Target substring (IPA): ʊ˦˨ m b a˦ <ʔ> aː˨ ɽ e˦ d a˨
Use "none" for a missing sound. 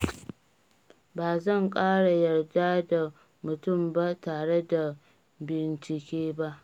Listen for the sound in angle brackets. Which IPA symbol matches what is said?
t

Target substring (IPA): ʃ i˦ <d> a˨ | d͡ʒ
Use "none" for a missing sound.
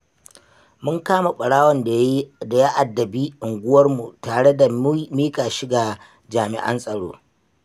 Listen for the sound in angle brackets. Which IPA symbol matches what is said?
ɡ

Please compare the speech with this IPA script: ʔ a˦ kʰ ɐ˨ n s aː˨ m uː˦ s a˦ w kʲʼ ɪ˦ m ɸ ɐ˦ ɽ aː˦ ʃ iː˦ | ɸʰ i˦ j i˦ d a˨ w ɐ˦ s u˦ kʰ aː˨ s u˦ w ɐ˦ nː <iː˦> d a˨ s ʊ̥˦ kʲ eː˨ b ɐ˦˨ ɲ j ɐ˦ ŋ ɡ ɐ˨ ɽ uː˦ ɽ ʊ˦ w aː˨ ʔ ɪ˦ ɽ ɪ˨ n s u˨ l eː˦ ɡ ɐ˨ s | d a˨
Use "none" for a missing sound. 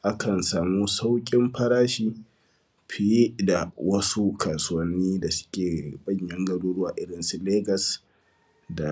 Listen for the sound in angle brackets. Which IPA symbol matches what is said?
iː˦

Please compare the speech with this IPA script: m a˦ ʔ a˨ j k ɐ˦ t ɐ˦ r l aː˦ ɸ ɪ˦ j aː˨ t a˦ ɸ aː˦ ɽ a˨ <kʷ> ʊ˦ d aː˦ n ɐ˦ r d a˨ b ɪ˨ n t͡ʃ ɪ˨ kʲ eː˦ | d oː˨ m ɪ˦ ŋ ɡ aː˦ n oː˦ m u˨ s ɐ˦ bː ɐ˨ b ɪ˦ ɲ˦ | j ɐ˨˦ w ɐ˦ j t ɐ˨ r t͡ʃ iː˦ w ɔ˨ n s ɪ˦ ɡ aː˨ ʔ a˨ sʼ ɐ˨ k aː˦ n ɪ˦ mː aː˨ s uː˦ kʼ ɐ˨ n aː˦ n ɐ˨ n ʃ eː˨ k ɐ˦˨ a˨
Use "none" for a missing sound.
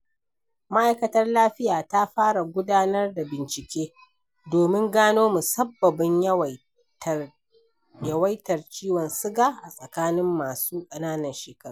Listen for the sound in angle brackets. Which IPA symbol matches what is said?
ɡʷ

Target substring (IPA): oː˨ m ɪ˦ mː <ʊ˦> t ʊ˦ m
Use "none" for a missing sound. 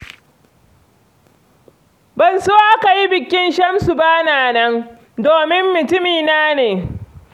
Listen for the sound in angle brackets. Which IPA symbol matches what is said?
ʊ˨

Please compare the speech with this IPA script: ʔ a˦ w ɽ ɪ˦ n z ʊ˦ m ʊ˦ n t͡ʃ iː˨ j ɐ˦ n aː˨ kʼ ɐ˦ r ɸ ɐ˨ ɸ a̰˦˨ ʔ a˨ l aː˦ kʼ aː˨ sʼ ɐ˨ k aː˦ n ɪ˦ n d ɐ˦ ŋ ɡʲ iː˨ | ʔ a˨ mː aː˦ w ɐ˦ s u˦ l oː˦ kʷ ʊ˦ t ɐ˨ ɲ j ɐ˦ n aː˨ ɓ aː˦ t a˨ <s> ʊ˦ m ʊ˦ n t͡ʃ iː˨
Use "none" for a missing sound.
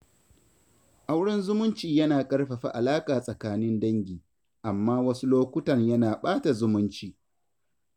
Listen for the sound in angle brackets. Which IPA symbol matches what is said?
z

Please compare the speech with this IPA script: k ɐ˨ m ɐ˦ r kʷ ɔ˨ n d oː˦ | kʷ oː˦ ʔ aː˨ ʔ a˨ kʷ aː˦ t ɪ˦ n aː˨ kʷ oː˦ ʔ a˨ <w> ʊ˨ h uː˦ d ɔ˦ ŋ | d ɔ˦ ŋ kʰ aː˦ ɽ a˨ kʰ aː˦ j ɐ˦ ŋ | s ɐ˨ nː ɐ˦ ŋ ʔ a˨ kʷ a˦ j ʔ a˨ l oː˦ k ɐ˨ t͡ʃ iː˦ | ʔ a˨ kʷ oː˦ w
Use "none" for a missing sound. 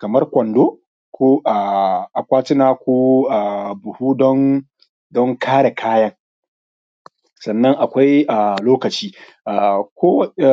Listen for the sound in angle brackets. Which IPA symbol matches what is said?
b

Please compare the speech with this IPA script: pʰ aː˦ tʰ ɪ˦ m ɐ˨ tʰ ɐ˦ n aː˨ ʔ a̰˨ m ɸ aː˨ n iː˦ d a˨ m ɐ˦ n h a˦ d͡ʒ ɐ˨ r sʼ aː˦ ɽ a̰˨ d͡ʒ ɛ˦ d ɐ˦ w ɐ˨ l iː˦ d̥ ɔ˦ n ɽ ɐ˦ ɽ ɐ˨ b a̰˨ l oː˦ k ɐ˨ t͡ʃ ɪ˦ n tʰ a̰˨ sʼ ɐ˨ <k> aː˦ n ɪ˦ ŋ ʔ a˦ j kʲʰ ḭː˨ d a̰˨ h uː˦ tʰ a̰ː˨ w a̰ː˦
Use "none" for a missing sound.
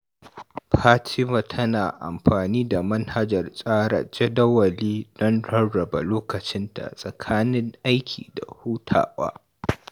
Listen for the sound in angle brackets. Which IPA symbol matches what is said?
kʰ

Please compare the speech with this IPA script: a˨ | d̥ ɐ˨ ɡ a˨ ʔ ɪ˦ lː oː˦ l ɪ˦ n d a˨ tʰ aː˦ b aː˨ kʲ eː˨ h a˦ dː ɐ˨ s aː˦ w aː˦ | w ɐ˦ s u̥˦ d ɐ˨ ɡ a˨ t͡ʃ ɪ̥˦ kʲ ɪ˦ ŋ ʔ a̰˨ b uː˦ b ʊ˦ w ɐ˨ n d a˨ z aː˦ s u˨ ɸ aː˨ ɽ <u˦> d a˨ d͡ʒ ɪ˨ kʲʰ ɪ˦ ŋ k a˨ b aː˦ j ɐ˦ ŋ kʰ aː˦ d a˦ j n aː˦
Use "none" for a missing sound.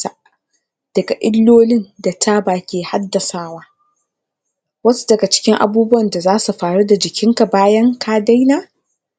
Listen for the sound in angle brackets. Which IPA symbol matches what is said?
u˦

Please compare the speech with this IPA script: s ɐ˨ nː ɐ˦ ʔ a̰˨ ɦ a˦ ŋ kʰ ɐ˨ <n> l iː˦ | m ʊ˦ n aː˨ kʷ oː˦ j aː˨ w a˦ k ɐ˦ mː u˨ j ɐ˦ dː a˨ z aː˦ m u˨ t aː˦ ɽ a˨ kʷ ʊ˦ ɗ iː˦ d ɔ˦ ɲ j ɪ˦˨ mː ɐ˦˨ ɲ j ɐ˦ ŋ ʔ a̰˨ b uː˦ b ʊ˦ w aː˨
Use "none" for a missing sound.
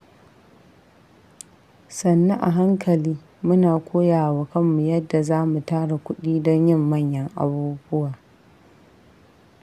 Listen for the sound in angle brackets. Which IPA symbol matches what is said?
none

